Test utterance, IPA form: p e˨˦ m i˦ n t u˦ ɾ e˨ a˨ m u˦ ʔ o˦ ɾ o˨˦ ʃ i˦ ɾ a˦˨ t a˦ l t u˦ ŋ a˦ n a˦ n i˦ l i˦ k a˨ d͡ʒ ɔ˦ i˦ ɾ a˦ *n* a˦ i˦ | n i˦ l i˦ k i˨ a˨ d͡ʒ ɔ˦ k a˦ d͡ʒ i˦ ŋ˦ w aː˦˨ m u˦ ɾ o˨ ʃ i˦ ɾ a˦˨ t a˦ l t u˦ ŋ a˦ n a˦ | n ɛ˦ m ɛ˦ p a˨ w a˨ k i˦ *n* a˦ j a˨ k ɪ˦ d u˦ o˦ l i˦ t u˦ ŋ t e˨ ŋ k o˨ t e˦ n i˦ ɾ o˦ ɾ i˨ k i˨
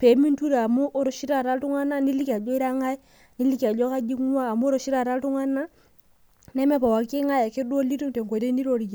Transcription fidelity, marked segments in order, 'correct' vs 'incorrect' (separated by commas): incorrect, incorrect